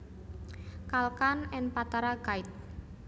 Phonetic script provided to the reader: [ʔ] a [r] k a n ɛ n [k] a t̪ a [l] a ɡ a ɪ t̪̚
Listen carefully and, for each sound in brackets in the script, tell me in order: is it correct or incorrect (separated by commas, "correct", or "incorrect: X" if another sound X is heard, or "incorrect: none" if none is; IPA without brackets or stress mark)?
incorrect: k, incorrect: l, incorrect: p, incorrect: ɾ